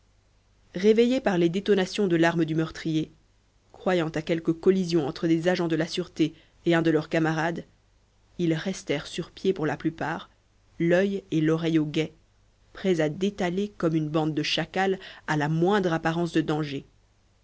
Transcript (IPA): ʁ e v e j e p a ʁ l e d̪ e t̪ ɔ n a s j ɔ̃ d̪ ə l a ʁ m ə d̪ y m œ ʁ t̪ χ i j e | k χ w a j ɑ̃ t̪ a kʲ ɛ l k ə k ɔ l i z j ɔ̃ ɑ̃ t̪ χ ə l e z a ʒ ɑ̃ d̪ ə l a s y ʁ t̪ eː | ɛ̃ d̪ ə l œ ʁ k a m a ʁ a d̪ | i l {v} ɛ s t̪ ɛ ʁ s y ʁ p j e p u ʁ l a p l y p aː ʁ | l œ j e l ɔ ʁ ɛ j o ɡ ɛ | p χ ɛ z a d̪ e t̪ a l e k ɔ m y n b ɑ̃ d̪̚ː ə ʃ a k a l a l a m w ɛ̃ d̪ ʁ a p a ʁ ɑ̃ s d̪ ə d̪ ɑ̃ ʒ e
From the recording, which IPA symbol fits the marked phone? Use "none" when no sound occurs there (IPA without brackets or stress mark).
ʁ